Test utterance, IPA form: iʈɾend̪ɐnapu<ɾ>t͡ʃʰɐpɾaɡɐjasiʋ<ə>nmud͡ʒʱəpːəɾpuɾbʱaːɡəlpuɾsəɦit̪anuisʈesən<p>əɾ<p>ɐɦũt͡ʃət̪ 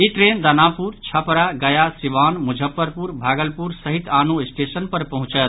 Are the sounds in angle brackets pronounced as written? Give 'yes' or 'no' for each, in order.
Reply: yes, no, yes, yes

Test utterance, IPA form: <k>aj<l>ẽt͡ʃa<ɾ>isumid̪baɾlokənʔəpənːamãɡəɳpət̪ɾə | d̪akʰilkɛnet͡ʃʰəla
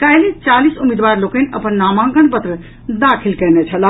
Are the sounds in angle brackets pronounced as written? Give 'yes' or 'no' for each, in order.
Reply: yes, yes, no

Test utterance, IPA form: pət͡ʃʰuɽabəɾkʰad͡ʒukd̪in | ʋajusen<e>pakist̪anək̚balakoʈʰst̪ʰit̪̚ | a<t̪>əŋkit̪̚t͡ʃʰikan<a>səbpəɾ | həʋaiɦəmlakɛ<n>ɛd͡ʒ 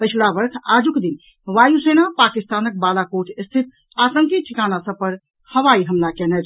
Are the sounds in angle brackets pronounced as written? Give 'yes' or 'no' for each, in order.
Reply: no, yes, yes, yes

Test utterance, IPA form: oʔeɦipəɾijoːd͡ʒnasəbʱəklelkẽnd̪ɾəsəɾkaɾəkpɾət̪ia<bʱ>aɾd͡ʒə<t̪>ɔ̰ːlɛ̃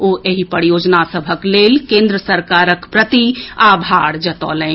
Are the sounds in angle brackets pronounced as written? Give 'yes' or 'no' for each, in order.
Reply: yes, yes

